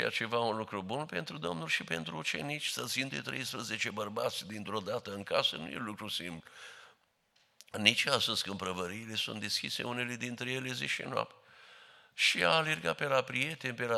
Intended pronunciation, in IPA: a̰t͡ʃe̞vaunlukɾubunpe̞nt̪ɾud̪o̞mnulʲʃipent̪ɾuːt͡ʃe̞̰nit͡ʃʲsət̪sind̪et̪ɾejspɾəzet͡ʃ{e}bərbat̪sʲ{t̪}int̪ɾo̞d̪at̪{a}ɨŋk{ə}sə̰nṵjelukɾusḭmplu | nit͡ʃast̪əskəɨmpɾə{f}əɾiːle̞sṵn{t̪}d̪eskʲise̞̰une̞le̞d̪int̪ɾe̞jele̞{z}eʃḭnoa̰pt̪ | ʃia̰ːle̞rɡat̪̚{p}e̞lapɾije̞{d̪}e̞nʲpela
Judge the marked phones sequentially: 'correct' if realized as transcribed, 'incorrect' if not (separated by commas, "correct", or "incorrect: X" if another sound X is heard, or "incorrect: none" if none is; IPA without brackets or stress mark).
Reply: correct, incorrect: d̪, incorrect: ə, incorrect: a, incorrect: v, correct, correct, correct, incorrect: t̪